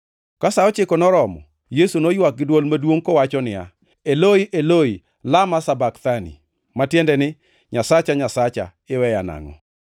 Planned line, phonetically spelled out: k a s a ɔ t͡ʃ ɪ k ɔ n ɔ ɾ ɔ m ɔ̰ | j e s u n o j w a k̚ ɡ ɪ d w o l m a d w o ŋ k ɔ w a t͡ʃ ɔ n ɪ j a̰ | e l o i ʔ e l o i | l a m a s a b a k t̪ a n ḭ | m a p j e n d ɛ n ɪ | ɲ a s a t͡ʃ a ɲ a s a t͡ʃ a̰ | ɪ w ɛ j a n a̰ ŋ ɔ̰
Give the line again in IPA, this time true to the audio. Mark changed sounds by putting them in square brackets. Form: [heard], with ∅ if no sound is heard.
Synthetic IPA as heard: k a s a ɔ t͡ʃ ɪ k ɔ n ɔ ɾ ɔ m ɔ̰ | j e s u n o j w a k̚ ɡ ɪ d w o l m a d w o ŋ k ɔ w a t͡ʃ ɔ n ɪ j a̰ | e l o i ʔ e l o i | l a m a s a b a k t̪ a n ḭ | m a [t] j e n d ɛ n ɪ | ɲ a s a t͡ʃ a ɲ a s a t͡ʃ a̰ | ɪ w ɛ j a n a̰ ŋ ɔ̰